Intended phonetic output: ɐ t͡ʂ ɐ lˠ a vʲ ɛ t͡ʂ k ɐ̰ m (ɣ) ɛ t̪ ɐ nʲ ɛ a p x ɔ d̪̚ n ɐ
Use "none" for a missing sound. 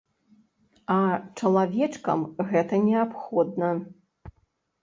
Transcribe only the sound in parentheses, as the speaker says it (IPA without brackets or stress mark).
ɣ